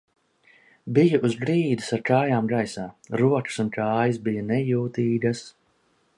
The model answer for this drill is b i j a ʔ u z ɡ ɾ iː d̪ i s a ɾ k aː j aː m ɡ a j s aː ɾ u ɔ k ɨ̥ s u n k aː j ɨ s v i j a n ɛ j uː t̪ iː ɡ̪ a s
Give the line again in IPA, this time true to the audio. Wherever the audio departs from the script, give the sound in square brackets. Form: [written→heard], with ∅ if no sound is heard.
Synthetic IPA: b i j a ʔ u z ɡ ɾ iː d̪ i s a ɾ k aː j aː m ɡ a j s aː ɾ u ɔ k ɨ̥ s u n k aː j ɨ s [v→b] i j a n ɛ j uː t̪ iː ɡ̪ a s